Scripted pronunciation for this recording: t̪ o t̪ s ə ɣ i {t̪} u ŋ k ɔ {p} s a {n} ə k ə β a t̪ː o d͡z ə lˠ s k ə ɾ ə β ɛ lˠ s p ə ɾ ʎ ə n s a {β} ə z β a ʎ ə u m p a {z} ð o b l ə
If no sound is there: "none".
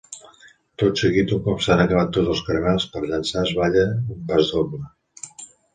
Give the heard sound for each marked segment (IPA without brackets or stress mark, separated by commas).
t̪, p, n, none, z